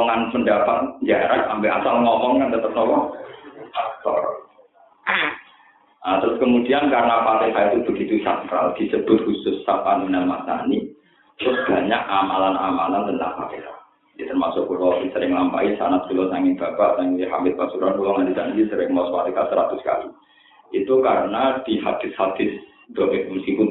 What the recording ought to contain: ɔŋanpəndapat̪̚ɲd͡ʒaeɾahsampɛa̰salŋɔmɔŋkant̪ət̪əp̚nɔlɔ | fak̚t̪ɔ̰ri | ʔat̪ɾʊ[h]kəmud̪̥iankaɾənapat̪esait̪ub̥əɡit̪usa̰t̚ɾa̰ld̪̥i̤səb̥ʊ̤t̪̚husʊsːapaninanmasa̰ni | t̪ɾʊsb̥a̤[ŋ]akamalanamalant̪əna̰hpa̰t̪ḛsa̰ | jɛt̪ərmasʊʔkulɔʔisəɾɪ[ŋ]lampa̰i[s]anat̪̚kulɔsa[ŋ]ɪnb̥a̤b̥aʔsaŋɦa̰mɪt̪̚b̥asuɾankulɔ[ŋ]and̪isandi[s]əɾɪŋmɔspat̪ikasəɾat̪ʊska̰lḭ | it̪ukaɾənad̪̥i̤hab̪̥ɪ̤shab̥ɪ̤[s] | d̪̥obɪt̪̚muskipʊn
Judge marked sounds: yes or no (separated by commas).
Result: no, no, yes, yes, yes, yes, yes, yes